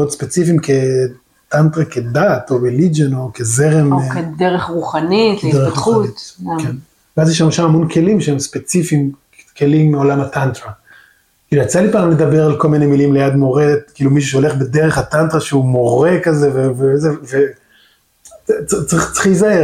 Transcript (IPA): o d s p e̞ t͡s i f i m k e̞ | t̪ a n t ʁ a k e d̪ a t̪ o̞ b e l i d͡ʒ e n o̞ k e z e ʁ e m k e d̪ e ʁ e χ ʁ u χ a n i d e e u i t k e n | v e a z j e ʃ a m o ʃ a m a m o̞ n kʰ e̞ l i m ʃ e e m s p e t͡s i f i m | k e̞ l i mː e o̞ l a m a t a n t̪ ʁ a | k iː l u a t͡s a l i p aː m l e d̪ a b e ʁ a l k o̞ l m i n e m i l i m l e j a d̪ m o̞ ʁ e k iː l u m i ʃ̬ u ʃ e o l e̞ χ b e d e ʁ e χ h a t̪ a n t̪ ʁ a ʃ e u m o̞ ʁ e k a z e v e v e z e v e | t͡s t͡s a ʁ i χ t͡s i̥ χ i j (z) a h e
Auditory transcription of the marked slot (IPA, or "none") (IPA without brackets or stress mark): z